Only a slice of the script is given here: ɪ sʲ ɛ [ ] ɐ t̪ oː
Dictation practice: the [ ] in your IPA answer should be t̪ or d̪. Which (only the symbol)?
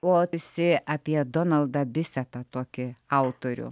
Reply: t̪